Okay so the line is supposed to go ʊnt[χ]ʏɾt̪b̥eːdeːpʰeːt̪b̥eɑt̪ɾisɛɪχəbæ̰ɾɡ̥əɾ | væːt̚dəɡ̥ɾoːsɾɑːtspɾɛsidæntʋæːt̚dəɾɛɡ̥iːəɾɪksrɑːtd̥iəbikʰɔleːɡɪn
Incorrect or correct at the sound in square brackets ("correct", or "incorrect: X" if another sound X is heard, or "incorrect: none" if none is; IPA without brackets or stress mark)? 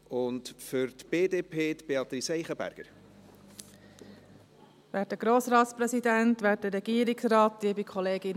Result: incorrect: f